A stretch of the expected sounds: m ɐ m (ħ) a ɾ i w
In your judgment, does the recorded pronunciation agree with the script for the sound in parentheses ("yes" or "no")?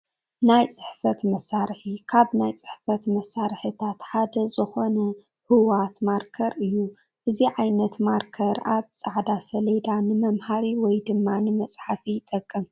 no